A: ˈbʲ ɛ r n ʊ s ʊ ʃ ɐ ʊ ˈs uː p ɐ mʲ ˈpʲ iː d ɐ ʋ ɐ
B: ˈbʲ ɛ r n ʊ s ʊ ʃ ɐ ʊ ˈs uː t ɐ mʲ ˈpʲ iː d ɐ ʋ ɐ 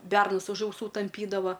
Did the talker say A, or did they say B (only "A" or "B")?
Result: B